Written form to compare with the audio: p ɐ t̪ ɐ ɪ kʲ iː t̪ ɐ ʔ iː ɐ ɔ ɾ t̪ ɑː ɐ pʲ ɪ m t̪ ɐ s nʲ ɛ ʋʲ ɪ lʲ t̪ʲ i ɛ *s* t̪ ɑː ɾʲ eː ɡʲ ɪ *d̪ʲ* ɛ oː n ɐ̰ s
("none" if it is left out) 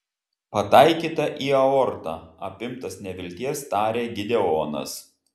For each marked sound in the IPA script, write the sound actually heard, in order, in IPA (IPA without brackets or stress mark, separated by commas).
s, d̪ʲ